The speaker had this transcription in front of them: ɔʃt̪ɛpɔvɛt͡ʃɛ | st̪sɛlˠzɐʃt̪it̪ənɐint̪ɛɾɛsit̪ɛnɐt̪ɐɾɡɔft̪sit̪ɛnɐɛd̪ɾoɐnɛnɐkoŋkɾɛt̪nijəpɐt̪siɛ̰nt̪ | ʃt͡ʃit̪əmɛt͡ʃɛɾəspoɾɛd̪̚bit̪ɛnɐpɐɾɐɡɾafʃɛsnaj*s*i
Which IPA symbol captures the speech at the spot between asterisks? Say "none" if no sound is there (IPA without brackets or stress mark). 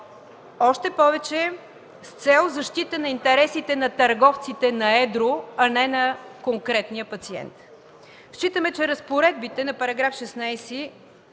s